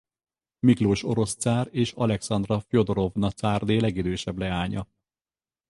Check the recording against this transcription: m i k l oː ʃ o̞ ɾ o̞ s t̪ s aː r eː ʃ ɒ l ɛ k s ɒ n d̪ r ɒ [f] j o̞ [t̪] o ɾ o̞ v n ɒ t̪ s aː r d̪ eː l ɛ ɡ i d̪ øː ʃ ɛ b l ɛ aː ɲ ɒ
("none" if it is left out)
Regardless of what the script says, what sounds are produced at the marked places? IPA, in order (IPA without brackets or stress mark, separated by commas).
f, d̪